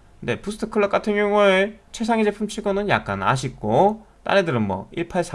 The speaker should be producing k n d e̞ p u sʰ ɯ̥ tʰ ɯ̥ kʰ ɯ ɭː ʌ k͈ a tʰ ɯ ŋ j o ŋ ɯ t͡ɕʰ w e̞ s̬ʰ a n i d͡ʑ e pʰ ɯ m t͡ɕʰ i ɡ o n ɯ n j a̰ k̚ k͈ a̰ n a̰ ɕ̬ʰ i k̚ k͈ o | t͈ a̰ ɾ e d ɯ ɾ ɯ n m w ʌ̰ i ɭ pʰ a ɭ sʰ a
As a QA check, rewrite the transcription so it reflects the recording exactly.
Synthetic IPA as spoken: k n d e̞ p u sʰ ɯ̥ tʰ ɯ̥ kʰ ɯ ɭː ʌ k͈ a tʰ ɯ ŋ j o ŋ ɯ t͡ɕʰ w e̞ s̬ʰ a ŋ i d͡ʑ e pʰ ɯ m t͡ɕʰ i ɡ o n ɯ n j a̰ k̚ k͈ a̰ n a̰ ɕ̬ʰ i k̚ k͈ o | t͈ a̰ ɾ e d ɯ ɾ ɯ n m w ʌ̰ i ɭ pʰ a ɭ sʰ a